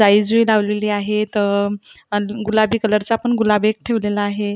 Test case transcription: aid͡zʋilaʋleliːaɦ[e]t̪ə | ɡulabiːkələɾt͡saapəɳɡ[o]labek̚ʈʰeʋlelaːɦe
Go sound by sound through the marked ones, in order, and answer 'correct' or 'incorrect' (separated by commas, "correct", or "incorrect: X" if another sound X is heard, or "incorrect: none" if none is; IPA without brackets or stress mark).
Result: correct, incorrect: u